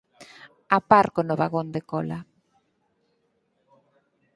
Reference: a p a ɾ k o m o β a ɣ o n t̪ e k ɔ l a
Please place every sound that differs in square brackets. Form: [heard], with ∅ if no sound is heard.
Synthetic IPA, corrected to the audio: a p a ɾ k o [n] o β a ɣ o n [d̪] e k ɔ l a